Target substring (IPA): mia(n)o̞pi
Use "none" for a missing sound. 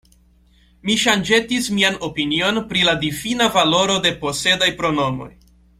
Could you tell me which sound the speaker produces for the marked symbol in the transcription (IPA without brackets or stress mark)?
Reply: n